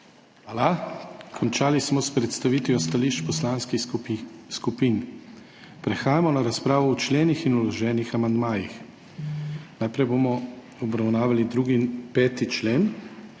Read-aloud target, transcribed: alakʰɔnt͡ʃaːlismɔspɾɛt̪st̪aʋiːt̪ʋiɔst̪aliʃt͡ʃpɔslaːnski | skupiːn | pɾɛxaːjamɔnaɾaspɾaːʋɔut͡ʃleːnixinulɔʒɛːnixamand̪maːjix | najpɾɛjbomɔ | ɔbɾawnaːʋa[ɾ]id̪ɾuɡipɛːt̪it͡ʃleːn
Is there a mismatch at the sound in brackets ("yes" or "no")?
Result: yes